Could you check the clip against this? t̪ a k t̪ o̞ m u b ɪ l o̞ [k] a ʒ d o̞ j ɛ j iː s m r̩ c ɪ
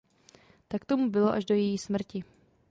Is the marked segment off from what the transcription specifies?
yes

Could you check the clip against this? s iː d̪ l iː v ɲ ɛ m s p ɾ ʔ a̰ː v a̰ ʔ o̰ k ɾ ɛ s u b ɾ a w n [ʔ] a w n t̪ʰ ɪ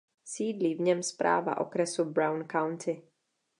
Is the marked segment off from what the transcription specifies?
yes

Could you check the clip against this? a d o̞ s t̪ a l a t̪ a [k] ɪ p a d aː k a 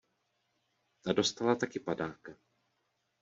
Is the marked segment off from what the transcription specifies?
no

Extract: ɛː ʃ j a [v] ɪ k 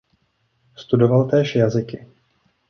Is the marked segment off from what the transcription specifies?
yes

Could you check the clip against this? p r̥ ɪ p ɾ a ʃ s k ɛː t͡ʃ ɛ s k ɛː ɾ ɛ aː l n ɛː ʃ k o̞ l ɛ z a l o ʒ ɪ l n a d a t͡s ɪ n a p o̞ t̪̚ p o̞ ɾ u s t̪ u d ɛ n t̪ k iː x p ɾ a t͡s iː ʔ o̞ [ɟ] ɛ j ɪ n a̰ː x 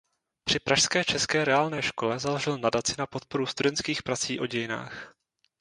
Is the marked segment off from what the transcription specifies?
no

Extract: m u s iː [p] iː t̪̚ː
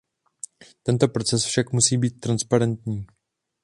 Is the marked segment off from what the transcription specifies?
yes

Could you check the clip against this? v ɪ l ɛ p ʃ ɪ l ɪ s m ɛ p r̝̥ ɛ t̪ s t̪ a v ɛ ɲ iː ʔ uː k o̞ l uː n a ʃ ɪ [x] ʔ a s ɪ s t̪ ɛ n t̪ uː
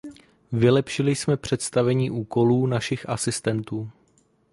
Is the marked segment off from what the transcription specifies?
no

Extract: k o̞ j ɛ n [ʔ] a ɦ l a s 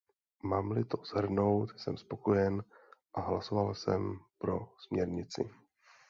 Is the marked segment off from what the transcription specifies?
no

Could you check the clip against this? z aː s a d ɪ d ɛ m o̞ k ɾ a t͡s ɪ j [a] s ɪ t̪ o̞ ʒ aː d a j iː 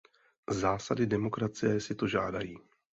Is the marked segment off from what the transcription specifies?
yes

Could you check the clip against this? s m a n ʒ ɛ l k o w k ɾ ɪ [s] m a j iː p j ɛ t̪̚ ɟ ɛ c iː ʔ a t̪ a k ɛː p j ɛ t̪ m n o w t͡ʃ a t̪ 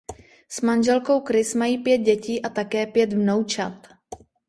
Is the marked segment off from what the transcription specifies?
no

